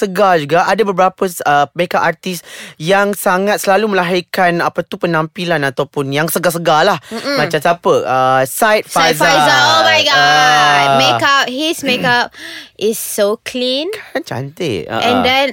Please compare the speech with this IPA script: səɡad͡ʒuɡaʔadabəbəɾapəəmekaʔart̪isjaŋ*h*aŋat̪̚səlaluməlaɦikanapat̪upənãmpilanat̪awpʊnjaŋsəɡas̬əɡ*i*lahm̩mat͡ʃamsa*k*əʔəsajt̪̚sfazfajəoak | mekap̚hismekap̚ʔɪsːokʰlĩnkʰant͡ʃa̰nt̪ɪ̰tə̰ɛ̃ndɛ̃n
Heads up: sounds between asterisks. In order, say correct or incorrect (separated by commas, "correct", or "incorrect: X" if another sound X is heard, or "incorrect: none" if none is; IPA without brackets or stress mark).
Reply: incorrect: s, incorrect: a, incorrect: p